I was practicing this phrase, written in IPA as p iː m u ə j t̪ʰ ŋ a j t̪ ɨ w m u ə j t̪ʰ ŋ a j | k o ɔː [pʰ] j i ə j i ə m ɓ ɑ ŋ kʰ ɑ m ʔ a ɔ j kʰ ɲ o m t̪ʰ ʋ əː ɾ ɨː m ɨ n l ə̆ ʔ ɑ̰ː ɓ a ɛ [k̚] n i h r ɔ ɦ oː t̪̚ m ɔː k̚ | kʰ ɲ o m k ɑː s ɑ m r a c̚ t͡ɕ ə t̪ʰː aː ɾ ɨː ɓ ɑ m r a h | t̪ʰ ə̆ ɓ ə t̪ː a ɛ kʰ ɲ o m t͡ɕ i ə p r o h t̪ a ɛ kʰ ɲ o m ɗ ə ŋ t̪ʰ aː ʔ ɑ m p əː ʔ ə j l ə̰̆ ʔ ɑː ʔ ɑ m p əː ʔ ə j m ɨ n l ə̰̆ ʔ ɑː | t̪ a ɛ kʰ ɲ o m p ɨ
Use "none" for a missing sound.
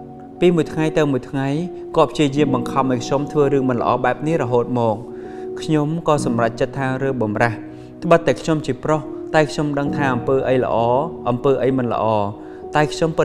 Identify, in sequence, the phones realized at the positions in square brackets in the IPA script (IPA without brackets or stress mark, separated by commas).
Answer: pʰ, p̚